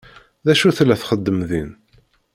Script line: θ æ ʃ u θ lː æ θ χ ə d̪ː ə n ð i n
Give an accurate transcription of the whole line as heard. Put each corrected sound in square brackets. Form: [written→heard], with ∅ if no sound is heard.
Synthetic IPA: [θ→ð] æ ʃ u θ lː æ θ χ ə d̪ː ə [n→m] ð i n